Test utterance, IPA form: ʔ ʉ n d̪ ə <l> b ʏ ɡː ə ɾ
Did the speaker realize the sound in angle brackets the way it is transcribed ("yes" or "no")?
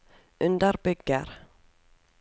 no